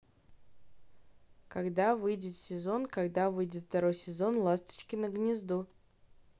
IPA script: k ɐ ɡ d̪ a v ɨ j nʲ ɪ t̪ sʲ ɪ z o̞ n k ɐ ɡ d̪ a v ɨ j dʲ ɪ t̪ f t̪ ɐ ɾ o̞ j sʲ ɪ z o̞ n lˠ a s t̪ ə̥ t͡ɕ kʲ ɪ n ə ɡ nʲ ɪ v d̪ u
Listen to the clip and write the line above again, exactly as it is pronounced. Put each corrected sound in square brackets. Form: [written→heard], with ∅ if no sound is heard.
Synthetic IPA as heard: k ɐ ɡ d̪ a v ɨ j [nʲ→dʲ] ɪ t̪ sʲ ɪ z o̞ n k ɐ ɡ d̪ a v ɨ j dʲ ɪ t̪ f t̪ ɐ ɾ o̞ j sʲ ɪ z o̞ n lˠ a s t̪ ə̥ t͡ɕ kʲ ɪ n ə ɡ nʲ ɪ [v→z] d̪ u

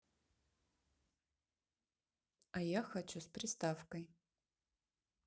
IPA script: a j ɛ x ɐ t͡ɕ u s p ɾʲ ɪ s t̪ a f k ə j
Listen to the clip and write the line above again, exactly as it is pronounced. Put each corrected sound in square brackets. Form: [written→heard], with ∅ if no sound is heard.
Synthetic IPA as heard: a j [ɛ→a] x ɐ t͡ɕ u s p ɾʲ ɪ s t̪ a f k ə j

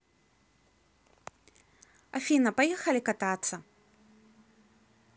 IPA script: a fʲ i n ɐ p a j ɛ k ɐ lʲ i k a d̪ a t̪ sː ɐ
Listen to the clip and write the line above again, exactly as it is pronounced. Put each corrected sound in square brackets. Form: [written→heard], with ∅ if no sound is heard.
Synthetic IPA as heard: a fʲ i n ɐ p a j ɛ [k→x] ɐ lʲ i k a [d̪→t̪] a t̪ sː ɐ

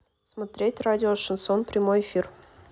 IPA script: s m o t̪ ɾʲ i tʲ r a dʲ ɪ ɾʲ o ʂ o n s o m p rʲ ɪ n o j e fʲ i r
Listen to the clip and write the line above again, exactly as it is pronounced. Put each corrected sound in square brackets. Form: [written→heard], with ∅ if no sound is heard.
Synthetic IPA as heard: s m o t̪ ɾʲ [i→e] tʲ r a dʲ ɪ [ɾʲ→∅] o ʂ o n s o [m→n] p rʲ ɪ [n→m] o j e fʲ i r

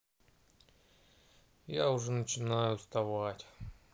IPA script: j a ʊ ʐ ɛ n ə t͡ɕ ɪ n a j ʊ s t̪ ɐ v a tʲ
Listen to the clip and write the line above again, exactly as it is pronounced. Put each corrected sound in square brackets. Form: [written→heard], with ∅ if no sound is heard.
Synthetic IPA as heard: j a ʊ ʐ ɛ n ə t͡ɕ ɪ n a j ʊ s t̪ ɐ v a tʲ

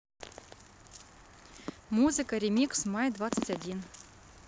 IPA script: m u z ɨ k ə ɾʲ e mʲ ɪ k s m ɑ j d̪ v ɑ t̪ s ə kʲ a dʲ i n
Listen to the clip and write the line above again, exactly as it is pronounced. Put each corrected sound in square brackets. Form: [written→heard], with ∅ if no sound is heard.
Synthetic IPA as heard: m u z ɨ k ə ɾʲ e mʲ [ɪ→i] k s m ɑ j d̪ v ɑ t̪ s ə [kʲ→tʲ] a dʲ i n

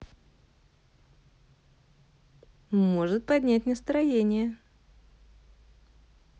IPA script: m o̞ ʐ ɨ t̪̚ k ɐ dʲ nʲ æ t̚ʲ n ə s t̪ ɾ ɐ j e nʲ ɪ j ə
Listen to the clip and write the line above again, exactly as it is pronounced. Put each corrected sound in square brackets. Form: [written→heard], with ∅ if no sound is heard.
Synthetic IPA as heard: m o̞ ʐ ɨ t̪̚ [k→p] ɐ dʲ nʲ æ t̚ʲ n ə s t̪ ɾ ɐ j e nʲ ɪ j ə

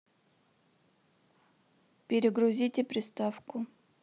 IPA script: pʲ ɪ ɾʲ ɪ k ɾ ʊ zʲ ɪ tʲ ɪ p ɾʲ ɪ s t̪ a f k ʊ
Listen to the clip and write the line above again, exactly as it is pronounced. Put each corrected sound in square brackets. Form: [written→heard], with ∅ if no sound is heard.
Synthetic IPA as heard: pʲ ɪ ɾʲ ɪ [k→ɡ] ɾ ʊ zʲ [ɪ→i] tʲ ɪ p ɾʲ ɪ s t̪ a f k ʊ

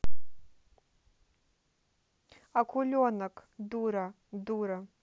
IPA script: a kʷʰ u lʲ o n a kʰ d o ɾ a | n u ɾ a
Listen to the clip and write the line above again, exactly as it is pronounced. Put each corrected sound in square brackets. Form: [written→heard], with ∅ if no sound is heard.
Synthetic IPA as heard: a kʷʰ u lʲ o n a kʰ d [o→u] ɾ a | [n→d] u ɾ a

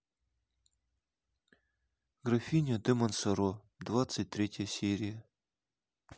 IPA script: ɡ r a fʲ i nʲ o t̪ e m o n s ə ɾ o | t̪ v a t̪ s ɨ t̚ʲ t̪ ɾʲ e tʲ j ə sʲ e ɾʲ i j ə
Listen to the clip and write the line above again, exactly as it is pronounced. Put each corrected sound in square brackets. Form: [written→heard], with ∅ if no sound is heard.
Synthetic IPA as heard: ɡ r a fʲ i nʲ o [t̪→d̪] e m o n s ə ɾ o | [t̪→d̪] v a t̪ s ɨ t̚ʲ t̪ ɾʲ e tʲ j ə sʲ e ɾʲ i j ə

